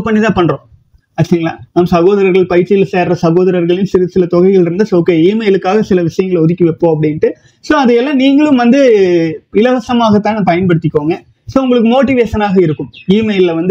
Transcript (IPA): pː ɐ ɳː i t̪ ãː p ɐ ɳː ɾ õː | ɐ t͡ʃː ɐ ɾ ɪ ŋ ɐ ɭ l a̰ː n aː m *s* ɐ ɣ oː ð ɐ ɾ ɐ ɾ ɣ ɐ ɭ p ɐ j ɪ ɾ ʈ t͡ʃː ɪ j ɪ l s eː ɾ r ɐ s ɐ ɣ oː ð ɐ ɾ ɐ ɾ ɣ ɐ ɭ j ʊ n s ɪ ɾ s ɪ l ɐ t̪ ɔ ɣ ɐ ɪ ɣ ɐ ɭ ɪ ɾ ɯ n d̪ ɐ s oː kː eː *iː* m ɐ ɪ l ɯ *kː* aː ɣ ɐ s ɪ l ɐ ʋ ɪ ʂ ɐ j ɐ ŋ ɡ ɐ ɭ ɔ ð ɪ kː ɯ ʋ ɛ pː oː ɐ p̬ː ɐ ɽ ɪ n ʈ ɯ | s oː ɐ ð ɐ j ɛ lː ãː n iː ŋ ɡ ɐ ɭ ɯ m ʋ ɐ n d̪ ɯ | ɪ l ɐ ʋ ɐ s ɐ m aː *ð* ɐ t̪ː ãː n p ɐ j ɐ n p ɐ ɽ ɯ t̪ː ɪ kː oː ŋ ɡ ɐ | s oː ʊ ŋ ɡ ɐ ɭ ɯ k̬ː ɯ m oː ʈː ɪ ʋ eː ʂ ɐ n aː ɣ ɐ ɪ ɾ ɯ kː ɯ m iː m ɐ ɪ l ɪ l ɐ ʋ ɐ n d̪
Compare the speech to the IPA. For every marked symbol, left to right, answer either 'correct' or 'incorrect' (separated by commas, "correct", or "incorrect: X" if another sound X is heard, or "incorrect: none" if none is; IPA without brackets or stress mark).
correct, correct, correct, incorrect: ɣ